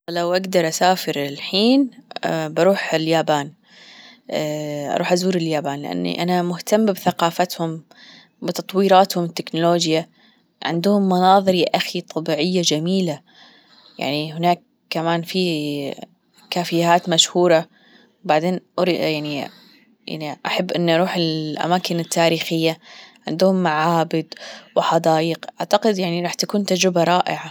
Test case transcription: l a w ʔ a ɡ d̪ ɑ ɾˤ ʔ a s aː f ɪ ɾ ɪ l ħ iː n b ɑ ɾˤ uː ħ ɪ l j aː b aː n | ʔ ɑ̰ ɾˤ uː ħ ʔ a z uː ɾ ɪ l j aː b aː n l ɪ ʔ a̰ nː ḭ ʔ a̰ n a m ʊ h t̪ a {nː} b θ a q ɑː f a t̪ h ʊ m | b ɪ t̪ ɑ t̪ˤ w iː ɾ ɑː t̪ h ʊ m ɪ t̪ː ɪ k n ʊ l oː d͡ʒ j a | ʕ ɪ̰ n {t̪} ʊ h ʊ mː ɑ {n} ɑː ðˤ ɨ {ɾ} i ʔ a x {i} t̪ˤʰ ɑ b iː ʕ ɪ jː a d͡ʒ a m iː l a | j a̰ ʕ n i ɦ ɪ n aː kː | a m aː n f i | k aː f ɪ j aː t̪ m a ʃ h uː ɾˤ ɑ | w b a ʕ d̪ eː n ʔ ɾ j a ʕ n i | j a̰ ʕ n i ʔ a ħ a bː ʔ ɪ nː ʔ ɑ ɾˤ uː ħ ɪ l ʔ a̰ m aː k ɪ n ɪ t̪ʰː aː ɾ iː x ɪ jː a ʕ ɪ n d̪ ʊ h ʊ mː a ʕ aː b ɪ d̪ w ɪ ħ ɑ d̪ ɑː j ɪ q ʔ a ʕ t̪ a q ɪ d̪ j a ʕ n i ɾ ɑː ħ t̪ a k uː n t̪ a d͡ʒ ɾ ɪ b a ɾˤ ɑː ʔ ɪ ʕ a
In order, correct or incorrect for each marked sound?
incorrect: mː, incorrect: d̪, correct, correct, correct

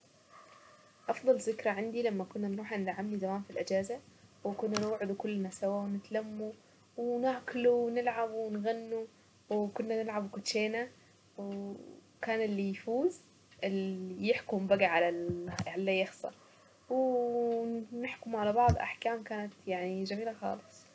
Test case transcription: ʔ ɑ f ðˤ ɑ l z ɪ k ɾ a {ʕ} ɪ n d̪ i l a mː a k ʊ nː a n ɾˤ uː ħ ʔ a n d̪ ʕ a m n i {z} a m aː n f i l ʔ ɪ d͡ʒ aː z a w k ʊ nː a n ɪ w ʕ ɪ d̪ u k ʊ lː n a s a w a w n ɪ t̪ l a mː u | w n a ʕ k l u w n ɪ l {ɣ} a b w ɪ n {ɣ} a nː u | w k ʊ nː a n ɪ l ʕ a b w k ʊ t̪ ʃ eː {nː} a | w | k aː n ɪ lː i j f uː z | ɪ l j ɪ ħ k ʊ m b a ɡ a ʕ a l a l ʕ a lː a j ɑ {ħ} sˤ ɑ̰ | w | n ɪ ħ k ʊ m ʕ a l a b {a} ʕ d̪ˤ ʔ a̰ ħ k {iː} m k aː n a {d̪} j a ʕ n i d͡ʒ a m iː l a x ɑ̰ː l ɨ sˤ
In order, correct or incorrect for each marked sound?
correct, correct, incorrect: ʕ, correct, incorrect: n, incorrect: x, incorrect: ɑ, incorrect: aː, incorrect: t̪

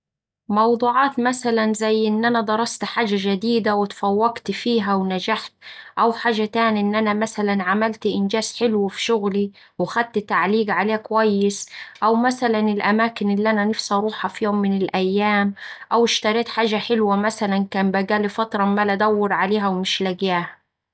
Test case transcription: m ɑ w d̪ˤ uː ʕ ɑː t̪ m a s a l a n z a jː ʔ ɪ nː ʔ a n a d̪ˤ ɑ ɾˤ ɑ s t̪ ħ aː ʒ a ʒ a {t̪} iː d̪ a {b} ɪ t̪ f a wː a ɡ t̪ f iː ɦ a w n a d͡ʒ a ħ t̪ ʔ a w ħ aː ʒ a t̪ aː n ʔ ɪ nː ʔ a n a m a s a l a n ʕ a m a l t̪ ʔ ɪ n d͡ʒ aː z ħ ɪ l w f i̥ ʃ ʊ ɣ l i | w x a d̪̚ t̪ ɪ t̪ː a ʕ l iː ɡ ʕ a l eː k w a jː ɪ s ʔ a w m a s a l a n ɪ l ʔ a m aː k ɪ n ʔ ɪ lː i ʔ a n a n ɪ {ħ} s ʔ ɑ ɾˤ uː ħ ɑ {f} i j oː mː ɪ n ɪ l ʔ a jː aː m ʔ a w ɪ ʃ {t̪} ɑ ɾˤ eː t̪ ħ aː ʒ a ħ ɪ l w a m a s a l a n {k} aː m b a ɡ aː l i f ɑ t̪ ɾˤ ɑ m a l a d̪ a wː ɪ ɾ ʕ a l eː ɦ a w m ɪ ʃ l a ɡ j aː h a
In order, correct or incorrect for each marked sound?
incorrect: d̪, incorrect: w, incorrect: f, correct, correct, correct

